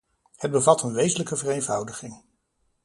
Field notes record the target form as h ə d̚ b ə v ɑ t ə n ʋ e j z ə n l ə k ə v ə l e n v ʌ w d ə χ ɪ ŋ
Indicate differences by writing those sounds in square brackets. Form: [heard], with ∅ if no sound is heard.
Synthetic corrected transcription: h ə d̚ b ə v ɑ t ə n ʋ e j z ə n l ə k ə v ə [r] e n v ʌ w d ə χ ɪ ŋ